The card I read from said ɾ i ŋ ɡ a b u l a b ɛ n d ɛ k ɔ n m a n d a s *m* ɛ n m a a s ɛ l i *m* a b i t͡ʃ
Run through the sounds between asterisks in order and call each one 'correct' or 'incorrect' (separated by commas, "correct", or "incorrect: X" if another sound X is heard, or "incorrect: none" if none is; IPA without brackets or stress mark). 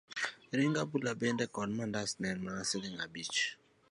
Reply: incorrect: n, incorrect: ŋ